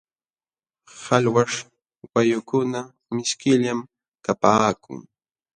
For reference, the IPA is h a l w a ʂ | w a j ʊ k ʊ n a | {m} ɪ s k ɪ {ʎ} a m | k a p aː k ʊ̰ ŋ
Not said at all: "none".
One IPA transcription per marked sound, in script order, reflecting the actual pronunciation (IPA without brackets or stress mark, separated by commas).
m, ʎ